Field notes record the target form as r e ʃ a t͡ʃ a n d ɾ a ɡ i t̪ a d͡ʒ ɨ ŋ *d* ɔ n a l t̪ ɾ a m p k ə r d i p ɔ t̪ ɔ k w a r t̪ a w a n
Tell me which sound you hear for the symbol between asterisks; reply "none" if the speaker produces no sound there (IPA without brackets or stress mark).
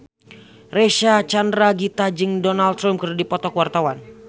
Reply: d